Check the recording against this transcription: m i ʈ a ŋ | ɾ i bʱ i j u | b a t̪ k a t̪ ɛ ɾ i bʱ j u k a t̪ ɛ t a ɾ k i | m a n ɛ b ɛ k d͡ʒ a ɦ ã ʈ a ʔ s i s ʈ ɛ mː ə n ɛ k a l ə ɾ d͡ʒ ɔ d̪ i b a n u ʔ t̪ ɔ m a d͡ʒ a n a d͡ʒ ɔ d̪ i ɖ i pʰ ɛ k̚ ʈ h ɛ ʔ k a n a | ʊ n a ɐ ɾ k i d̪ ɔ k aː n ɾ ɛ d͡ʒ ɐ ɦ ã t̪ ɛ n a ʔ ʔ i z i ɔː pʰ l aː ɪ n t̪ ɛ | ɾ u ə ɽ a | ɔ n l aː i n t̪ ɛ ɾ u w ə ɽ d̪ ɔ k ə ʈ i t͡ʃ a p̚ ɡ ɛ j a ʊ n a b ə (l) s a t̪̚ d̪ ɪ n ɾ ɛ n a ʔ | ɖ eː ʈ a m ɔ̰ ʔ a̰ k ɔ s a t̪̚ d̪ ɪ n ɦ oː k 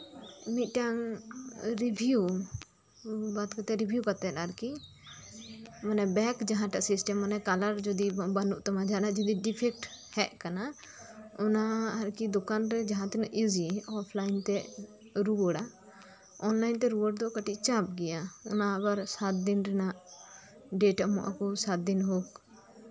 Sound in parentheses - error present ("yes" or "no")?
yes